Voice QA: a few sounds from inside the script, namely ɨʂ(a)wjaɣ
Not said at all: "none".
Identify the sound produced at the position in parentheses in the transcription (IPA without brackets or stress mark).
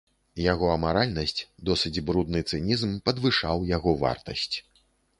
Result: a